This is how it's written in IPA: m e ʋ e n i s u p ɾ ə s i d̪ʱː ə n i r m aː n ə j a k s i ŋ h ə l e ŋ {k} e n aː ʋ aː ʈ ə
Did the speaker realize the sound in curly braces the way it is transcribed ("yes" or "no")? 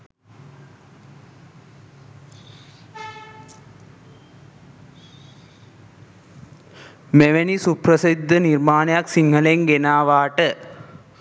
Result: no